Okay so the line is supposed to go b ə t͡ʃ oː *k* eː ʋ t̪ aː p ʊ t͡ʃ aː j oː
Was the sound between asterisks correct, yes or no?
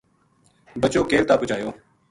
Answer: yes